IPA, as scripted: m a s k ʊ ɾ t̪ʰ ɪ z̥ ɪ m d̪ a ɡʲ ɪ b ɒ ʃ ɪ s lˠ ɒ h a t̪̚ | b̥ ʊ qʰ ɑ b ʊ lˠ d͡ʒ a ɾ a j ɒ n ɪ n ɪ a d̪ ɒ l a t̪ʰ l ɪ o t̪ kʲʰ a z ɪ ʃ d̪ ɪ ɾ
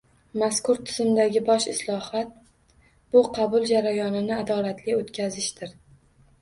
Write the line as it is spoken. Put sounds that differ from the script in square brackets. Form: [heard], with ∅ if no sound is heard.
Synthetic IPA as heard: m a s k ʊ ɾ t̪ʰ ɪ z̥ ɪ m d̪ a ɡʲ ɪ b ɒ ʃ ɪ s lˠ ɒ h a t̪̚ | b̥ ʊ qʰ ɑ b ʊ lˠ d͡ʒ a ɾ a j ɒ n ɪ n ɪ a d̪ ɒ l a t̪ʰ l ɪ o t̪ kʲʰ a z ɪ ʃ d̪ ɪ ɾ